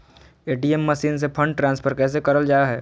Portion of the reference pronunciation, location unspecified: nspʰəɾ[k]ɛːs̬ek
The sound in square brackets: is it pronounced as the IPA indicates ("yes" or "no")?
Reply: yes